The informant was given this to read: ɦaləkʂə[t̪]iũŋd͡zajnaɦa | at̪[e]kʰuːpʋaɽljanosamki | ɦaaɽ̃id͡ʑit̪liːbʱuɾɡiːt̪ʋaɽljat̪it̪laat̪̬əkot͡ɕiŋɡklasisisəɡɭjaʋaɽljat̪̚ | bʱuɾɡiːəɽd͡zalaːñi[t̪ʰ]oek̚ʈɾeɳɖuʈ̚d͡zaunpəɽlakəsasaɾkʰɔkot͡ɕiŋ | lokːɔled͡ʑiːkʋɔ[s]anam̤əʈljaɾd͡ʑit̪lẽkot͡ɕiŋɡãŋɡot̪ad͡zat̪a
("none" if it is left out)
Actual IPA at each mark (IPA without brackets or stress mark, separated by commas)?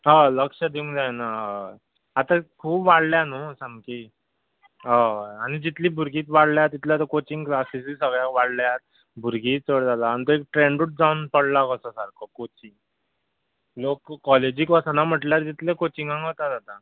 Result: d̪, a, t̪, s